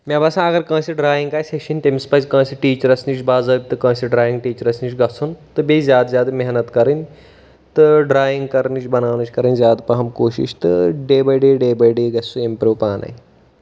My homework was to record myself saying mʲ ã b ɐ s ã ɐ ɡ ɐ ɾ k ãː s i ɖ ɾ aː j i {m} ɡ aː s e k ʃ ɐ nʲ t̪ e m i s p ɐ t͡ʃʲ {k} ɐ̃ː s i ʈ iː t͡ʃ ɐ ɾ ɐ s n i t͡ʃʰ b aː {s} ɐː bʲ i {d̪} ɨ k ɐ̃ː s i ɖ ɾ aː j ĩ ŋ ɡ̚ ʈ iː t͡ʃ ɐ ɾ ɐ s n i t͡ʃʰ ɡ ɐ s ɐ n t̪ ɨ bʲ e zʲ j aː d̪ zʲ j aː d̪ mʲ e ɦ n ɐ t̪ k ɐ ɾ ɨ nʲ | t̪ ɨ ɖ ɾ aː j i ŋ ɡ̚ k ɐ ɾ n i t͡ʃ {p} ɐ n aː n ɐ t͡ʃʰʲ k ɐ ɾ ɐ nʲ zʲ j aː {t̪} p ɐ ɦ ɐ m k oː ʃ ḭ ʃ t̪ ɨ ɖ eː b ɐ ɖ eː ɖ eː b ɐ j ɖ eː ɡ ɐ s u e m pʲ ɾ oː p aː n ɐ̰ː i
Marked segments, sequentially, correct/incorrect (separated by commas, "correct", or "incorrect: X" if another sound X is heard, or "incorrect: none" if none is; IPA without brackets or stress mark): incorrect: ŋ, correct, incorrect: z, incorrect: t̪, incorrect: b, incorrect: d̪